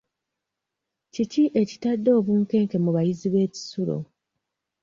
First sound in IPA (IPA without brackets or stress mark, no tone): c